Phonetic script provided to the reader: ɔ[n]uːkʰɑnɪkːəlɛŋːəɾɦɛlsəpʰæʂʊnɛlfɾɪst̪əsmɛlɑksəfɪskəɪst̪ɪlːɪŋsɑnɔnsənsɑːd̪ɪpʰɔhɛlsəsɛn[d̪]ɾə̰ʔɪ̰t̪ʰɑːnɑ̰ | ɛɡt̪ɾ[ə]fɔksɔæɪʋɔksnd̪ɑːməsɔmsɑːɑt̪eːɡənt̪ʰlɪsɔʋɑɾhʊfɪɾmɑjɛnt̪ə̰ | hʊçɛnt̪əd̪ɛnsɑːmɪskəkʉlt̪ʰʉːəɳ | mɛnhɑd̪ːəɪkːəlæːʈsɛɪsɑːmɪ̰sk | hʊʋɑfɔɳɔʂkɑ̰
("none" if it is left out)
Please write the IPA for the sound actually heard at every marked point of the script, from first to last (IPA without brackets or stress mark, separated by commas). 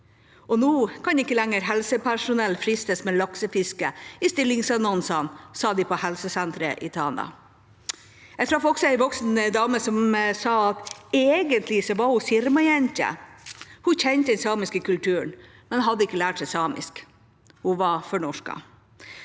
n, t̪, ɑ